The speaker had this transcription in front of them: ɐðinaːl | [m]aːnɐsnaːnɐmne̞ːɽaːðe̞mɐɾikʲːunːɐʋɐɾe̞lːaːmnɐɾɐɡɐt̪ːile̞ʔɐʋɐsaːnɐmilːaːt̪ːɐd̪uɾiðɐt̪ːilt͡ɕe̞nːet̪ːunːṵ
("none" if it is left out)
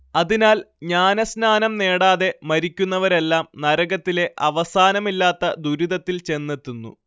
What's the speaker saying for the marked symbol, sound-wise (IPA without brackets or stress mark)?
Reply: ɲ